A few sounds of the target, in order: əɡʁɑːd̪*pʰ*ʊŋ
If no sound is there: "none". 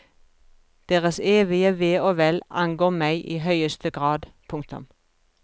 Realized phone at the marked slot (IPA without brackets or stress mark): pʰ